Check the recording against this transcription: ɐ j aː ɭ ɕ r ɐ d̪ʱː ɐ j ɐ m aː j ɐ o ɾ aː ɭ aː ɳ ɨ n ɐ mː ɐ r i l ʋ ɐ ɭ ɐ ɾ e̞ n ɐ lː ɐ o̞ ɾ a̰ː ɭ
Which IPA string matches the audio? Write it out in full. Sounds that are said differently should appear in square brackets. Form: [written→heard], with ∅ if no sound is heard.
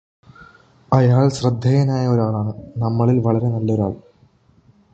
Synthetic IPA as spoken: ɐ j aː ɭ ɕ r ɐ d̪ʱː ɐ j ɐ [m→n] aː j ɐ o ɾ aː ɭ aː ɳ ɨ n ɐ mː ɐ [r→ɭ] i l ʋ ɐ ɭ ɐ ɾ e̞ n ɐ lː ɐ o̞ ɾ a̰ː ɭ